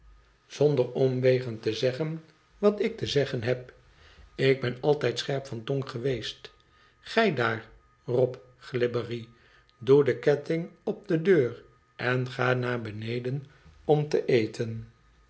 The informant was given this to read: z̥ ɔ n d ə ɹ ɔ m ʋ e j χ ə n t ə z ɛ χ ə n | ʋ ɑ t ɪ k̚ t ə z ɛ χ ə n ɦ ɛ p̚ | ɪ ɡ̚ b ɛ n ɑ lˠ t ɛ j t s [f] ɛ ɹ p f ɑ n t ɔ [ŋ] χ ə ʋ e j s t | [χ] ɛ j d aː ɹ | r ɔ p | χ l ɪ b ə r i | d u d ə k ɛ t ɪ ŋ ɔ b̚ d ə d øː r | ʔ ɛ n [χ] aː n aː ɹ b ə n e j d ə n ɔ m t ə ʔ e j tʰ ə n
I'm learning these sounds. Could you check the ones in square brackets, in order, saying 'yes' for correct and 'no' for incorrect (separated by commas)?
no, yes, yes, yes